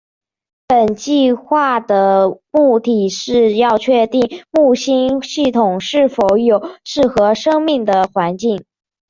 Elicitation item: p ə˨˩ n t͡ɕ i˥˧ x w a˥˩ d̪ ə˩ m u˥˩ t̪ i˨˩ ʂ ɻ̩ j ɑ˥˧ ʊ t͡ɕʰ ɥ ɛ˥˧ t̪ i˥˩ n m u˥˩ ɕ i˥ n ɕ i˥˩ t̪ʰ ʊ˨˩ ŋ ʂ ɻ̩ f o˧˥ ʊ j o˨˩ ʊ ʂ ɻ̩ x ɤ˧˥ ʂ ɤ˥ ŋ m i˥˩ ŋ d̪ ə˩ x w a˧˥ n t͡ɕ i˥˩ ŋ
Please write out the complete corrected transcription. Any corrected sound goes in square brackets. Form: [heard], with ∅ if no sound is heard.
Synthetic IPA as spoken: p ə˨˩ n t͡ɕ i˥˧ x w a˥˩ d̪ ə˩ m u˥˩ t̪ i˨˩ ʂ ɻ̩ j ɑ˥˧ ʊ t͡ɕʰ ɥ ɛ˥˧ t̪ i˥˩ [ŋ] m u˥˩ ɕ i˥ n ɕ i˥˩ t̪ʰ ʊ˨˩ ŋ ʂ ɻ̩ f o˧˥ ʊ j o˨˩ ʊ ʂ ɻ̩ x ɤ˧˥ ʂ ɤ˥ ŋ m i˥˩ ŋ d̪ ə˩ x w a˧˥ n t͡ɕ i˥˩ ŋ